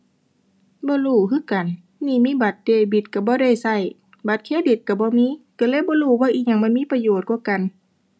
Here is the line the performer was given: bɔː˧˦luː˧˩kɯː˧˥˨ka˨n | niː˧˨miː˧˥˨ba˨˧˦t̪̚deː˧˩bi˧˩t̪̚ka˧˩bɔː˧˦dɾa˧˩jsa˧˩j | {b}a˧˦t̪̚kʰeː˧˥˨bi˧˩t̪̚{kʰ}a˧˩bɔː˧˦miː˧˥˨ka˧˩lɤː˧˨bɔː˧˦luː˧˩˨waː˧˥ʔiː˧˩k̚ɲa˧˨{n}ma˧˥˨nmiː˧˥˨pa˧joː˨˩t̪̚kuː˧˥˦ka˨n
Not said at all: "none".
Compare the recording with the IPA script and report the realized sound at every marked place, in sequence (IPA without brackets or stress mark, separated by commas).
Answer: b, k, ŋ